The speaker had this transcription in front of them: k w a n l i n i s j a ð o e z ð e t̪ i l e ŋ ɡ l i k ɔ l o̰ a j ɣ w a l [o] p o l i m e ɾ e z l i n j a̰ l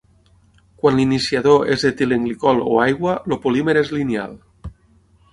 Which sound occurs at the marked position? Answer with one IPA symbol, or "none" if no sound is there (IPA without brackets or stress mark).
o